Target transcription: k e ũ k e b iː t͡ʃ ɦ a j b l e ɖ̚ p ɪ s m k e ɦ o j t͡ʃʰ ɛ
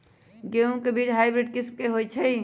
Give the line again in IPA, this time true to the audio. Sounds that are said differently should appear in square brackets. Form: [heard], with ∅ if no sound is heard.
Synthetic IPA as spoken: [ɡ] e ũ k e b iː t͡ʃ ɦ a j b [ɾ] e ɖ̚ [k] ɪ s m k e ɦ o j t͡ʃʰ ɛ